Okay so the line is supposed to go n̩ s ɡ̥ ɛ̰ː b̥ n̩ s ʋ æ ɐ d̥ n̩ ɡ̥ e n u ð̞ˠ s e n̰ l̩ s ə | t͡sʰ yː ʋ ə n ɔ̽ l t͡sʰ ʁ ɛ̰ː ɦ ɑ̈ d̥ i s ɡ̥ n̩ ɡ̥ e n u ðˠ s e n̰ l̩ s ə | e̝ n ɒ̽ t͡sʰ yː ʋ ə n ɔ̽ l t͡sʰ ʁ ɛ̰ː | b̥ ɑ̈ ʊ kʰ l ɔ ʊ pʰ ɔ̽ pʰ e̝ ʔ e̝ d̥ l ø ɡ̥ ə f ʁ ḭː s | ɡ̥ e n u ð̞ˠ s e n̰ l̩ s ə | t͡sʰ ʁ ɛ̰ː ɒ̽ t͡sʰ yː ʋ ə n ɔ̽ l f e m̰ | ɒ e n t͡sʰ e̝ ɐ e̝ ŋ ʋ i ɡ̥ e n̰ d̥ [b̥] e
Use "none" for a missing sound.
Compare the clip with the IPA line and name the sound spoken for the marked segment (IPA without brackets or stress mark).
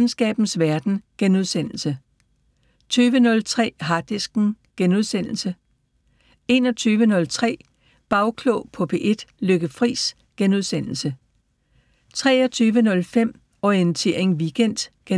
ɡ̥